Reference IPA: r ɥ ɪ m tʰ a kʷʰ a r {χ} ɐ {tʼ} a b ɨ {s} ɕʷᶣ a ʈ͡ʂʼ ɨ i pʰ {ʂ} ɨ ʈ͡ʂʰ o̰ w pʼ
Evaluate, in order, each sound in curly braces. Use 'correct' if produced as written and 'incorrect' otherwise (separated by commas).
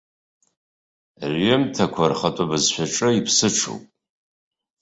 correct, correct, incorrect, incorrect